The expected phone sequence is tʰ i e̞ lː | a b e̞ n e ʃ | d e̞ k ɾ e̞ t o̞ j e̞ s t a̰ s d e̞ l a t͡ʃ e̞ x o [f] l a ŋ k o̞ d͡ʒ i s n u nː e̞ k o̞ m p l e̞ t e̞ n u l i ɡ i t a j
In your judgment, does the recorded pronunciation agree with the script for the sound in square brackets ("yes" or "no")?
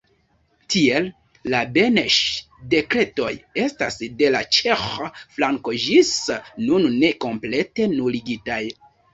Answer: yes